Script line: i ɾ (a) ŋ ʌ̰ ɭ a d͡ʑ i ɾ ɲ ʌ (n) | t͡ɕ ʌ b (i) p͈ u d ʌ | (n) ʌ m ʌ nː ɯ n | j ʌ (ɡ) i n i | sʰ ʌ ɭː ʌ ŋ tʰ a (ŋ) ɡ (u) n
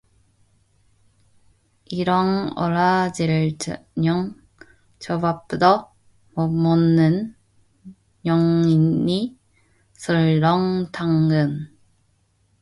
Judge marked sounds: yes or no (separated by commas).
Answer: no, no, no, no, no, yes, no